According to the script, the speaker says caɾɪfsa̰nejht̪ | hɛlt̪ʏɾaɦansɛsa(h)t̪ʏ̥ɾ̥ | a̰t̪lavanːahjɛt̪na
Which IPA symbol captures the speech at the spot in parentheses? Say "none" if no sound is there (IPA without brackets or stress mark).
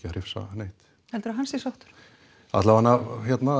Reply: h